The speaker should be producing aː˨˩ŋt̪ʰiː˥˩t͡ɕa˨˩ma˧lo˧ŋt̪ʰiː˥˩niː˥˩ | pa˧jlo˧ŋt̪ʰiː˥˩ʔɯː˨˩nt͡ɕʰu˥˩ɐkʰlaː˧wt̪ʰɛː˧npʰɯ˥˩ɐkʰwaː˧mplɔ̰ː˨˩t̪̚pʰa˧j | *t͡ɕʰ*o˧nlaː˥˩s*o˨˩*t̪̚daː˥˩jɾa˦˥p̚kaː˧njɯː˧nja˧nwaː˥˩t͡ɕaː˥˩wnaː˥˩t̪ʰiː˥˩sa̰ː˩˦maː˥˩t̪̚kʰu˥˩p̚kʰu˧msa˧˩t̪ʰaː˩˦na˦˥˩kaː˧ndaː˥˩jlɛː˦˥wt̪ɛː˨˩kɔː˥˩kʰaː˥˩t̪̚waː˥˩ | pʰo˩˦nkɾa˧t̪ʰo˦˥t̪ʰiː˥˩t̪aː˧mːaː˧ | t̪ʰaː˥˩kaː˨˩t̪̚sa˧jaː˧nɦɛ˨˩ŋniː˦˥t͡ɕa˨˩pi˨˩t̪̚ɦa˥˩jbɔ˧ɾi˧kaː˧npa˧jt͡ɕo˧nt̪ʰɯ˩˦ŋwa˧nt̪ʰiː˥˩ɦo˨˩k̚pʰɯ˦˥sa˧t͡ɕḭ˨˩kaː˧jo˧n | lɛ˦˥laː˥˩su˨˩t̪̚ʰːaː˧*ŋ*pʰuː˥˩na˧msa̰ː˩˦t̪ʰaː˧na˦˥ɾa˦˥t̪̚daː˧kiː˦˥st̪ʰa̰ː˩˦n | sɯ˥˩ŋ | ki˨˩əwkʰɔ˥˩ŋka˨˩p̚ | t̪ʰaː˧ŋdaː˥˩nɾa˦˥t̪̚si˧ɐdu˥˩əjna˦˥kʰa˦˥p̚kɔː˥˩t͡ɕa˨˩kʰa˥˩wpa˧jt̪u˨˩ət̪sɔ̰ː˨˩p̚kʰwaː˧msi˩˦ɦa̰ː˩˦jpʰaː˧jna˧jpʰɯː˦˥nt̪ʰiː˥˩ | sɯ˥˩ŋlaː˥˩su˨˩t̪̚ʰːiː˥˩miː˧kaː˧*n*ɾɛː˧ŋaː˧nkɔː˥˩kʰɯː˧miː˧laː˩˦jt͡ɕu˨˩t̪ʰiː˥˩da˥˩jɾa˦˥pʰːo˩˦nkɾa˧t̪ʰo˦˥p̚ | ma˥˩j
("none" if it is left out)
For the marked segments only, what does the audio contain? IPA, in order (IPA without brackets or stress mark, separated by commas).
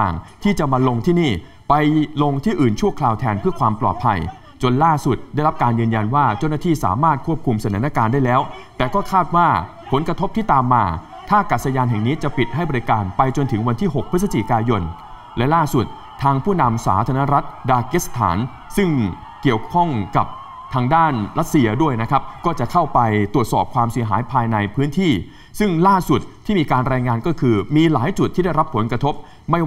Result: t͡ɕ, u˨˩, ŋ, n